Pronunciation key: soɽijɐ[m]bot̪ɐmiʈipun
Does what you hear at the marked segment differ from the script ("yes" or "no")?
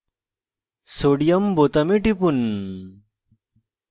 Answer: no